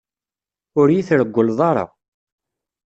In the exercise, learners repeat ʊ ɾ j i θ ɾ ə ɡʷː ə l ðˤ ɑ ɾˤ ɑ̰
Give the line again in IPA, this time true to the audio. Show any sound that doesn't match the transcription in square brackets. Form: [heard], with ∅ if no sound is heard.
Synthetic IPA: ʊ ɾ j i θ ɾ ə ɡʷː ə l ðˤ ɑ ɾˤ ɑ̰